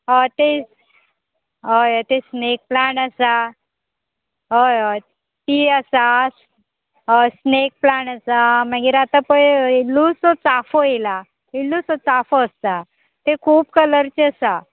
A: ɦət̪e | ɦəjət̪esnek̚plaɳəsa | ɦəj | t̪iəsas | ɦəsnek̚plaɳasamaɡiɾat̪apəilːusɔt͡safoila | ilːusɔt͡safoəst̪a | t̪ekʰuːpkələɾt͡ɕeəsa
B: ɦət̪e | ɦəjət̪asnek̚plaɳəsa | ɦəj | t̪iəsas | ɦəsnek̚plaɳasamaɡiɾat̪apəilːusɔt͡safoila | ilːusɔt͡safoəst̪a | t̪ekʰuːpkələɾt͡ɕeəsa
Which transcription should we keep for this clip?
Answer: A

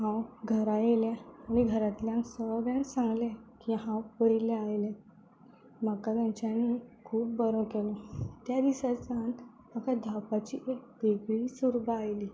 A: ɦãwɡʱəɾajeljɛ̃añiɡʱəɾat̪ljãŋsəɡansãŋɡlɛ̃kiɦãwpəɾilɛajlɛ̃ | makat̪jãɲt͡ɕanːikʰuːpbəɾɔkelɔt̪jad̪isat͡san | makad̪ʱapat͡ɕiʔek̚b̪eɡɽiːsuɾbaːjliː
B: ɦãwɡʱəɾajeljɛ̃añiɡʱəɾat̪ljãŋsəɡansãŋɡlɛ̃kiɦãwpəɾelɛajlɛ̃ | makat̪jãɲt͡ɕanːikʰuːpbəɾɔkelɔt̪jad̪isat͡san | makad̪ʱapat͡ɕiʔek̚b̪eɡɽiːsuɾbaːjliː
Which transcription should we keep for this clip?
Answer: A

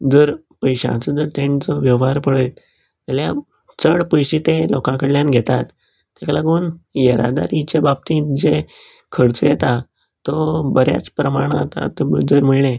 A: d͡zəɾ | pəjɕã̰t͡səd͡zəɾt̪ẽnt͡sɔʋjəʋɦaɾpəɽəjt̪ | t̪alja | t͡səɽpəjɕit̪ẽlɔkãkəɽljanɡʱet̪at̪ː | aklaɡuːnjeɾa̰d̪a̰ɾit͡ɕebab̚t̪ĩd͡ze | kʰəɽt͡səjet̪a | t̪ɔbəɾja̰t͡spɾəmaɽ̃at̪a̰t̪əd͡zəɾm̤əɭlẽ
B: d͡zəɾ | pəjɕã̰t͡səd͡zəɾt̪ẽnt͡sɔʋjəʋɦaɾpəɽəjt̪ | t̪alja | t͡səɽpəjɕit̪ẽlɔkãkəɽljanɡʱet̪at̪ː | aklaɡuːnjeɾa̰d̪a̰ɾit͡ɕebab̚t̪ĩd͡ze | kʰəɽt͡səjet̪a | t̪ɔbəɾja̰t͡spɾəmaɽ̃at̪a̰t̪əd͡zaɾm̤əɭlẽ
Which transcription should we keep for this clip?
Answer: A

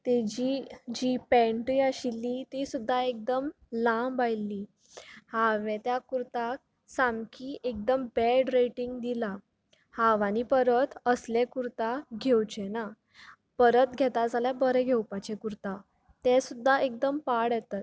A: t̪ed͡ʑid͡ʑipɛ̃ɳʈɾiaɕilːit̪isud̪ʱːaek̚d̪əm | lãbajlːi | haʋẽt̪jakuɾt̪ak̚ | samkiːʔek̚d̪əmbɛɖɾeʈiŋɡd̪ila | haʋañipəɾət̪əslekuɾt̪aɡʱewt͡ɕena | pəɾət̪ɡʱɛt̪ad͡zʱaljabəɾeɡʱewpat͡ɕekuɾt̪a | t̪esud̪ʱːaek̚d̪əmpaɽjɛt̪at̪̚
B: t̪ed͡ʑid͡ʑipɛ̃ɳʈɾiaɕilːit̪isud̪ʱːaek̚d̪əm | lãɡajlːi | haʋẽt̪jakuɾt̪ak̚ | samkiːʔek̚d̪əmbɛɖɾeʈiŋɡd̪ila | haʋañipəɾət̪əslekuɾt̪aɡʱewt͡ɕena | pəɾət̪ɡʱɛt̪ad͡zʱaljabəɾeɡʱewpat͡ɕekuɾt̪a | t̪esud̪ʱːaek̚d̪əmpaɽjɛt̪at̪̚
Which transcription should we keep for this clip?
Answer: A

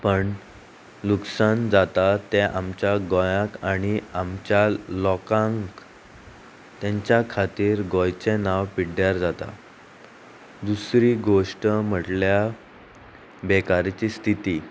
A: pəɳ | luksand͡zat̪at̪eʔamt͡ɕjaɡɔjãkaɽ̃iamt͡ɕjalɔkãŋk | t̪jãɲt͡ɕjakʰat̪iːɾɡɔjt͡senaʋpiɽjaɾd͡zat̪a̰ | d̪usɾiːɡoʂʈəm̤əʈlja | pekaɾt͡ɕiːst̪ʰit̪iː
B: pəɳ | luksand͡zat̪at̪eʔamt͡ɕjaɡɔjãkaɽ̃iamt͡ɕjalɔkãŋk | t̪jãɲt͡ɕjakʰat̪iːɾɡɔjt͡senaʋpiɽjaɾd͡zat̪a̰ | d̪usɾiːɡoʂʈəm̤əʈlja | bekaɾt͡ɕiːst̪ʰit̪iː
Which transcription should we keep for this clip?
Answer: B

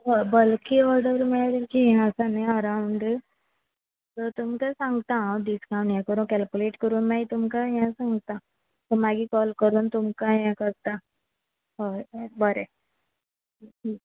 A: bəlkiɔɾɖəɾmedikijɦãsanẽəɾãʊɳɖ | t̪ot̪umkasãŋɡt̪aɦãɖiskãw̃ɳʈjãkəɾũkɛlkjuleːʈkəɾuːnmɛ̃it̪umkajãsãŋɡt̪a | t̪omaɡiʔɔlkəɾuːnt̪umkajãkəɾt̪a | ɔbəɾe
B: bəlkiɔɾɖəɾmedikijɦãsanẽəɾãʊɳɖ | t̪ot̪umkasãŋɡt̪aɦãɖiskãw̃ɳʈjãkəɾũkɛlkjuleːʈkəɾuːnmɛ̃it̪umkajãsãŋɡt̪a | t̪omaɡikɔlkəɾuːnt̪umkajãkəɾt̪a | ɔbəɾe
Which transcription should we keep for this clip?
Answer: B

